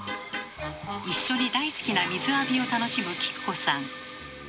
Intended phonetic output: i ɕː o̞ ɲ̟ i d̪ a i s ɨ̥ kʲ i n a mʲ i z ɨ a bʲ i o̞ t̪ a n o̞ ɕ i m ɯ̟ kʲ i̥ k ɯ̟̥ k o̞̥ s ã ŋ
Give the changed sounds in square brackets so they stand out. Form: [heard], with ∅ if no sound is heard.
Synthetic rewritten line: i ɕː o̞ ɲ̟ i d̪ a i s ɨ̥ kʲ i n a mʲ i z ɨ a bʲ i o̞ t̪ a n o̞ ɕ i m ɯ̟ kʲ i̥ k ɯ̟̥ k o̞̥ s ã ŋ

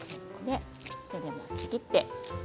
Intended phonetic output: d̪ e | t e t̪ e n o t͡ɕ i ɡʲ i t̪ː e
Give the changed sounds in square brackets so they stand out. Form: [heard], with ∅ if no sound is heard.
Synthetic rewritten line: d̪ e | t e [d̪] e [m] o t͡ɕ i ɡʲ i t̪ː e

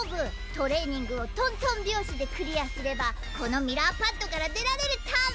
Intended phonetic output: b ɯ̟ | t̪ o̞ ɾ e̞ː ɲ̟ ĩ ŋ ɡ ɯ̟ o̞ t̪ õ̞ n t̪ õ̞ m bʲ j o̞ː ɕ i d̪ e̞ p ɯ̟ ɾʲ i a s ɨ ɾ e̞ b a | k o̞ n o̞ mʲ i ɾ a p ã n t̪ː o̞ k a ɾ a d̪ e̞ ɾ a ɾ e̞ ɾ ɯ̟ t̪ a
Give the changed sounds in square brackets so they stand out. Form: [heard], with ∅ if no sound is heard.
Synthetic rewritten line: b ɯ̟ | t̪ o̞ ɾ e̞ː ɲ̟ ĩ ŋ ɡ ɯ̟ o̞ t̪ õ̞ n t̪ õ̞ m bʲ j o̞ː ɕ i d̪ e̞ [k] ɯ̟ ɾʲ i a s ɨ ɾ e̞ b a | k o̞ n o̞ mʲ i ɾ a p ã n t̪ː o̞ k a ɾ a d̪ e̞ ɾ a ɾ e̞ ɾ ɯ̟ t̪ a

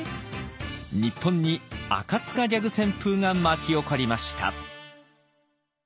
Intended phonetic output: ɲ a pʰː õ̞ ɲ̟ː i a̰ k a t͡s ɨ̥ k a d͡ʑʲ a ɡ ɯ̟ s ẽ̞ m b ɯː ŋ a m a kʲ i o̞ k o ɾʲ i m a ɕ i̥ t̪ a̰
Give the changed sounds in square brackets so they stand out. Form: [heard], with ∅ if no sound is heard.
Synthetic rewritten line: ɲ [i] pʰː õ̞ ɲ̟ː i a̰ k a t͡s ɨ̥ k a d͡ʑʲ a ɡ ɯ̟ s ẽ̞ m [p] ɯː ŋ a m a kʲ i o̞ k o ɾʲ i m a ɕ i̥ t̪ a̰

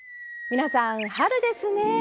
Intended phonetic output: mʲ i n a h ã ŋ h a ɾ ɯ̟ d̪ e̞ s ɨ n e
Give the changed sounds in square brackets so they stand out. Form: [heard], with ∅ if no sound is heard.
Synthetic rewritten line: mʲ i n a [s] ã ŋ h a ɾ ɯ̟ d̪ e̞ s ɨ n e

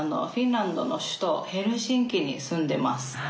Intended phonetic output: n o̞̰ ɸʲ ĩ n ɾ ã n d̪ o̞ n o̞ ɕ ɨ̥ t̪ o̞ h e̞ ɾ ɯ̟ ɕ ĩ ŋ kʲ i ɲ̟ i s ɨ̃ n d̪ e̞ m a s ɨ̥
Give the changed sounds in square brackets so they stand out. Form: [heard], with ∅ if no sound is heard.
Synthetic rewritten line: n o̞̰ ɸʲ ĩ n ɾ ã n d̪ o̞ n o̞ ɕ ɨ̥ t̪ o̞ h e̞ ɾ ɯ̟ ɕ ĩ ŋ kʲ i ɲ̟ i s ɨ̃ n d̪ e̞ m a s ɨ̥

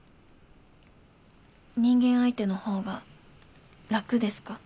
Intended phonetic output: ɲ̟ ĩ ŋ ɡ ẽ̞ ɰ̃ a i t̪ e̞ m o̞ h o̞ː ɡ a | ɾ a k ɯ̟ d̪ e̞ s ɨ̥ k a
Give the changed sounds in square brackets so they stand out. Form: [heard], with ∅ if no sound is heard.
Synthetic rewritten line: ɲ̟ ĩ ŋ ɡ ẽ̞ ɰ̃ a i t̪ e̞ [n] o̞ h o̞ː ɡ a | ɾ a k ɯ̟ d̪ e̞ s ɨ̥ k a

